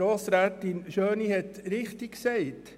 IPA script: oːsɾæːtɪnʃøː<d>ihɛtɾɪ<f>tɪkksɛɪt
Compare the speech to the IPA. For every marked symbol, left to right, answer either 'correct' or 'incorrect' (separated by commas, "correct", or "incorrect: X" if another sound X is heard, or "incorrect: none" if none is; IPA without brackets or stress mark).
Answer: incorrect: n, incorrect: χ